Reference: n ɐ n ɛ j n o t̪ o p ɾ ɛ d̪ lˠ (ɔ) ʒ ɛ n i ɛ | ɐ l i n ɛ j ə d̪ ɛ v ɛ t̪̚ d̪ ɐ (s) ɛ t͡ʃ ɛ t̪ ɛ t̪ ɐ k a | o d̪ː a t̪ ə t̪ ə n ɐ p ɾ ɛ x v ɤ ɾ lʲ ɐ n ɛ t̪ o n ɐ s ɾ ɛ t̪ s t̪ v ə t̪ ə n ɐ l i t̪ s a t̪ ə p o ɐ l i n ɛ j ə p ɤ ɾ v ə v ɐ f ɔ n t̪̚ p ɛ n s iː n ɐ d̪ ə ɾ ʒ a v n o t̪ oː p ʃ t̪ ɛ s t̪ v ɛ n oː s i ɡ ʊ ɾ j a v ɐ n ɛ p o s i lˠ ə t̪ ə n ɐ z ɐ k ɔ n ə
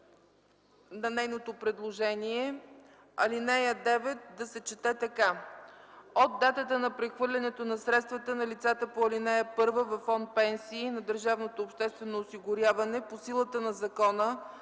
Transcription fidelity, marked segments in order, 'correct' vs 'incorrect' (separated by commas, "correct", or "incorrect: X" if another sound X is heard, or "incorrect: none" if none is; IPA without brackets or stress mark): incorrect: o, correct